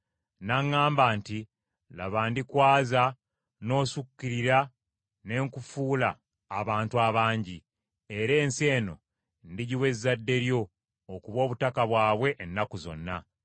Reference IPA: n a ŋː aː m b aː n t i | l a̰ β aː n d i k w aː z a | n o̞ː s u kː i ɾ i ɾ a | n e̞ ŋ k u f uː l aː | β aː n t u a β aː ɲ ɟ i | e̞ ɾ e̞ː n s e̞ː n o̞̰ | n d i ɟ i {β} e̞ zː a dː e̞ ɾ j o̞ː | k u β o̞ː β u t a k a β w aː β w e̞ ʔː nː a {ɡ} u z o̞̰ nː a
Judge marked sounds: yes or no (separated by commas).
no, no